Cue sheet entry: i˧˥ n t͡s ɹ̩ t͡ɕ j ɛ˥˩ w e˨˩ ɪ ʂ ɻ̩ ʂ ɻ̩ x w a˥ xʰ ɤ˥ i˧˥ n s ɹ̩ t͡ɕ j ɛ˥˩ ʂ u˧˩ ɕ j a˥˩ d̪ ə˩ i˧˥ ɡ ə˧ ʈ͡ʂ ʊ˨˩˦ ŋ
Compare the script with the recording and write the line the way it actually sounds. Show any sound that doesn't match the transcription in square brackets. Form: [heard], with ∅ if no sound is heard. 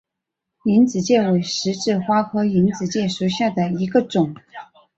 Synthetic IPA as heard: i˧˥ n t͡s ɹ̩ t͡ɕ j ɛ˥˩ w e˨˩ ɪ ʂ ɻ̩ [ʈ͡ʂ] ɻ̩ x w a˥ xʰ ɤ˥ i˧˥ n [t͡s] ɹ̩ t͡ɕ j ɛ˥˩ ʂ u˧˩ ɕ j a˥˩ d̪ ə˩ i˧˥ ɡ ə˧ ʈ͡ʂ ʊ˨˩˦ ŋ